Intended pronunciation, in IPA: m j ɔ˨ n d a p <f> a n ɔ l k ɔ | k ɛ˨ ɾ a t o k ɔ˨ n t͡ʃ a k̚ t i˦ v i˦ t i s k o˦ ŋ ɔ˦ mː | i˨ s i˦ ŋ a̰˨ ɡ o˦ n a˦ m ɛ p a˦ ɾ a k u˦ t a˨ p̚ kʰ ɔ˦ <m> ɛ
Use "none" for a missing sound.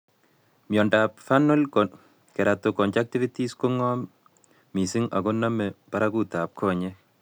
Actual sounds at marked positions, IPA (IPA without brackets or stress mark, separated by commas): f, ɲ